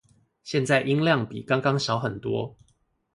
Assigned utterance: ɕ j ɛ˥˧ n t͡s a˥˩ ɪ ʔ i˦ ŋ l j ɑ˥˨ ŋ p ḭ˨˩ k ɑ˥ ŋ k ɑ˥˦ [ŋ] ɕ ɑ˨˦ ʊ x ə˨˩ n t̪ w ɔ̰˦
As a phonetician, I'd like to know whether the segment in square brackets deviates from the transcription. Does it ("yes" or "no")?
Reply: no